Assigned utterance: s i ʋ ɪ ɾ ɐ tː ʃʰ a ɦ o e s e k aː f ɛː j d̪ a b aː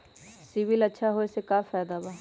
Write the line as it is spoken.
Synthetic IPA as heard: s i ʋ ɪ l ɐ tː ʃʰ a ɦ o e s e k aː f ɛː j d̪ a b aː

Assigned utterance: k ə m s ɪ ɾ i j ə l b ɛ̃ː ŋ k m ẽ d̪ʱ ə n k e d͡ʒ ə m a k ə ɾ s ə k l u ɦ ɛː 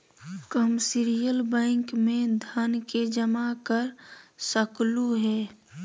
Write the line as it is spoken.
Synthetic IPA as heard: k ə m s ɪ ɾ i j ə l b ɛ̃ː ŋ k m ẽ d̪ʱ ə n k e d͡ʒ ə m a k ə ɾ s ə k l u ɦ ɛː

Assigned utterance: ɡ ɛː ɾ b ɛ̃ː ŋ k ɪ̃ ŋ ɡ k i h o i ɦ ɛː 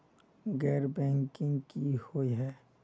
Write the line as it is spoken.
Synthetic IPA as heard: ɡ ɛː ɾ b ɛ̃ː ŋ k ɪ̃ ŋ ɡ k i h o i ɦ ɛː

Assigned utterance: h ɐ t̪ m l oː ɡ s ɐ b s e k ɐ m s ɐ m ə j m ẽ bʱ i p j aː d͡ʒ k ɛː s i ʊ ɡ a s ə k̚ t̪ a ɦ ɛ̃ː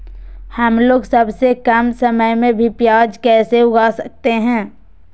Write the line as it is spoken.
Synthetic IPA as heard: h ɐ m l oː ɡ s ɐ b s e k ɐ m s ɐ m ə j m ẽ bʱ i p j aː d͡ʒ k ɛː s e ʊ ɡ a s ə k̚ t̪ e ɦ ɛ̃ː

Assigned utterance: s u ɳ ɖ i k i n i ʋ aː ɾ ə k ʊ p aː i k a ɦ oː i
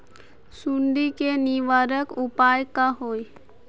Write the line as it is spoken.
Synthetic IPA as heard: s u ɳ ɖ i k e n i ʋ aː ɾ ə k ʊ p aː j k a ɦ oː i

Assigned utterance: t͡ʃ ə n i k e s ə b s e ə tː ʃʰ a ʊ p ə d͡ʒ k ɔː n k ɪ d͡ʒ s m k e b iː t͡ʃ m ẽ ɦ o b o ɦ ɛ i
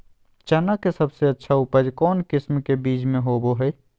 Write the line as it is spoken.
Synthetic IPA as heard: t͡ʃ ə n a k e s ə b s e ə tː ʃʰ a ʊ p ə d͡ʒ k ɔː n k ɪ s m k e b iː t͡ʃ m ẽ ɦ o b o ɦ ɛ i

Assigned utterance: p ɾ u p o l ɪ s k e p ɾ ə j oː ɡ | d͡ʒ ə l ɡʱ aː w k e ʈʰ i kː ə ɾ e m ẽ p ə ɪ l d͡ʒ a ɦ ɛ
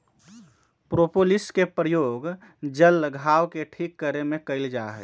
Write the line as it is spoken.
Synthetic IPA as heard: p ɾ o p o l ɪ s k e p ɾ ə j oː ɡ | d͡ʒ ə l ɡʱ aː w k e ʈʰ i kː ə ɾ e m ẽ k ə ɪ l d͡ʒ a ɦ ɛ

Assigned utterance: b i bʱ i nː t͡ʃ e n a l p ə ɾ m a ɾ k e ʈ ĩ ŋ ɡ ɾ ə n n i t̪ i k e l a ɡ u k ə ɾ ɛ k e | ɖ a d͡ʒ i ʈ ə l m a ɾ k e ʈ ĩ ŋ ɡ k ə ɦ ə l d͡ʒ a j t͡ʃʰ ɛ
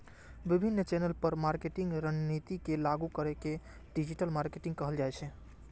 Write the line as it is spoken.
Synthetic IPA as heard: b i bʱ i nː t͡ʃ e n ə l p ə ɾ m a ɾ k e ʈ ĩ ŋ ɡ ɾ ə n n i t̪ i k e l a ɡ u k ə ɾ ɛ k e | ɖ i d͡ʒ i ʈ ə l m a ɾ k e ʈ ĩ ŋ ɡ k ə ɦ ə l d͡ʒ a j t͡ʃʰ ɛ

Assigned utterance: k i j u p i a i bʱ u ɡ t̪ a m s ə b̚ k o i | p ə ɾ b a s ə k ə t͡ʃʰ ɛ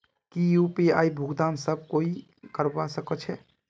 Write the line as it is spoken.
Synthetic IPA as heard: k i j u p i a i bʱ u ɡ d̪ a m s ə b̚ k o i | k ə ɾ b a s ə k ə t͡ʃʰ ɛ

